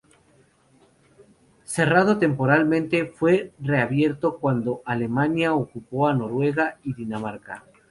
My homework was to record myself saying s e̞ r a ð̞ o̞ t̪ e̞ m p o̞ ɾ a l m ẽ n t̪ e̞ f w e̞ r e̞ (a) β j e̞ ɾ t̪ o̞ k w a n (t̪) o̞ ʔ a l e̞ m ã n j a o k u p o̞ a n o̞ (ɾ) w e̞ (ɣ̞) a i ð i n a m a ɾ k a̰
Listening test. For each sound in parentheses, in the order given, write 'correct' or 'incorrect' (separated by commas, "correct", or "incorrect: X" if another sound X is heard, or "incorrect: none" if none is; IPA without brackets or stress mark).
correct, incorrect: d̪, correct, correct